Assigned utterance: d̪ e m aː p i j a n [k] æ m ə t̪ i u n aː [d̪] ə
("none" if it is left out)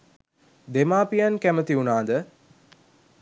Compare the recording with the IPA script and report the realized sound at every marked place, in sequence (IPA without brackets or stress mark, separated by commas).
k, d̪